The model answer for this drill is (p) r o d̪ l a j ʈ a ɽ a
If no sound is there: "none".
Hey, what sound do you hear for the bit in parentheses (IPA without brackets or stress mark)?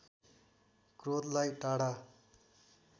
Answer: k